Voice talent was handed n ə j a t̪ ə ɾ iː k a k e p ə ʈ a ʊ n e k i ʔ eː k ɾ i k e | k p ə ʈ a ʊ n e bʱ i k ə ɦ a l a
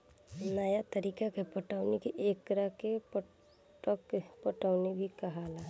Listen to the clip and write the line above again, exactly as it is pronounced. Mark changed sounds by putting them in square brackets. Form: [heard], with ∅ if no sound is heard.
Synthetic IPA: n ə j a t̪ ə ɾ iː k a k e p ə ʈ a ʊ n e k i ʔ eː k ɾ [a] k e | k p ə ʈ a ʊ n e bʱ i k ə ɦ a l a